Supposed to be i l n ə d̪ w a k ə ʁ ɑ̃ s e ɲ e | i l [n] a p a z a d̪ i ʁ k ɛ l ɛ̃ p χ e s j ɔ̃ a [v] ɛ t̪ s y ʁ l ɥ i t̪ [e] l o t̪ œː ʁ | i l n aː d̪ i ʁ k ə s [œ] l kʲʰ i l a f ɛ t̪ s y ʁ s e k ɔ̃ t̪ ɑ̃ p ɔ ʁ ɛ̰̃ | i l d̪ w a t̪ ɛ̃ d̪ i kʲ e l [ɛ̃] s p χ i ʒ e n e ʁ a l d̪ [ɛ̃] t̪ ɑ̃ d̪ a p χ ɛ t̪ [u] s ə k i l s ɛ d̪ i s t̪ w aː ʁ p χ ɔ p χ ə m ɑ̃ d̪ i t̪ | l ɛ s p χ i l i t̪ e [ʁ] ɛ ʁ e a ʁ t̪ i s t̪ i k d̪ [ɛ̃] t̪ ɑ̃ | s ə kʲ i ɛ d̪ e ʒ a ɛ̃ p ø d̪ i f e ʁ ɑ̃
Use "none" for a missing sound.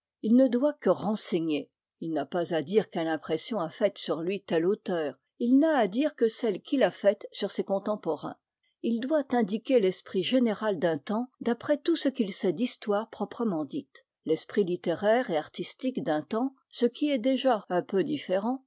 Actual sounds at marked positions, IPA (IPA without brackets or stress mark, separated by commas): n, f, ɛ, ɛ, ɛ, ɛ̃, u, ʁ, ɛ̃